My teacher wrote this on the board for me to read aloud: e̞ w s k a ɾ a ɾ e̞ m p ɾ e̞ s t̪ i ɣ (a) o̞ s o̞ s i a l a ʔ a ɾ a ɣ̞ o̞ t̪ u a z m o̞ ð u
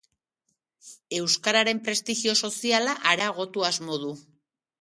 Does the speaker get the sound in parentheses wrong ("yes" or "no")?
yes